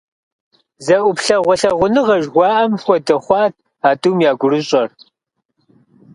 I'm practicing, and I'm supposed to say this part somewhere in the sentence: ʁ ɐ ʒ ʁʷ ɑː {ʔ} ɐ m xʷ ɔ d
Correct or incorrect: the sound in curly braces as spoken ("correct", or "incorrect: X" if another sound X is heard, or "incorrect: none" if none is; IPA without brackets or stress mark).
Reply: correct